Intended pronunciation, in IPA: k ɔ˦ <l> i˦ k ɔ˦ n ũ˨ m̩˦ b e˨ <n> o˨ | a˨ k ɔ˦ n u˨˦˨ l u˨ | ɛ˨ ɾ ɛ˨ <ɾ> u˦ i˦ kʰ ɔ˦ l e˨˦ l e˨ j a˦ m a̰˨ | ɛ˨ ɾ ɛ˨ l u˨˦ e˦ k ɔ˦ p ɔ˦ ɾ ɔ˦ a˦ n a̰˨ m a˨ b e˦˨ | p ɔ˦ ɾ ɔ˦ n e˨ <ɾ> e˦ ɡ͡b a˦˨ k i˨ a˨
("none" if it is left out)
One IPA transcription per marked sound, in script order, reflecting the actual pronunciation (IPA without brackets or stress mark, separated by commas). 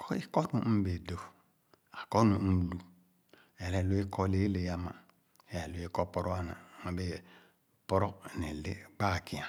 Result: none, d, l, l